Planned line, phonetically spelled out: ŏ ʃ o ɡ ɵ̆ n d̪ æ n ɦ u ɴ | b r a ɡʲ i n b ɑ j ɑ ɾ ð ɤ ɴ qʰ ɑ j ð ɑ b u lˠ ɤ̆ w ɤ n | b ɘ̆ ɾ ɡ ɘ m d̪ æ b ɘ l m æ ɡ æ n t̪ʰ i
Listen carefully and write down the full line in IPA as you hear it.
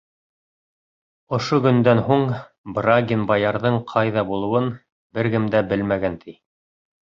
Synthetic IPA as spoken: ŏ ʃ o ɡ ɵ̆ n d̪ æ n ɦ u ɴ | b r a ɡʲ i n b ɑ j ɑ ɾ ð ɤ ɴ qʰ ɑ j ð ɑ b u lˠ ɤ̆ w ɤ n | b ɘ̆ ɾ ɡ ɘ m d̪ æ b ɘ l m æ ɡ æ n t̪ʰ i